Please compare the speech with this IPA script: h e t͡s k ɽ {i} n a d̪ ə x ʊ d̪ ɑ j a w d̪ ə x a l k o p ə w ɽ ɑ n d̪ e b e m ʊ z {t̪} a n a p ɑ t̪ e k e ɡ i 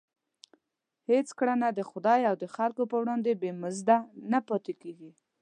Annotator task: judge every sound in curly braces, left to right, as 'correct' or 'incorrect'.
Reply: incorrect, incorrect

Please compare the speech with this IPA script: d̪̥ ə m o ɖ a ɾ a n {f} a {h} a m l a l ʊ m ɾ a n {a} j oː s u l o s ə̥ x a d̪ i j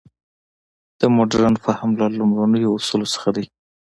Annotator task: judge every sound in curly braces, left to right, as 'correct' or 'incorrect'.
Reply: correct, correct, incorrect

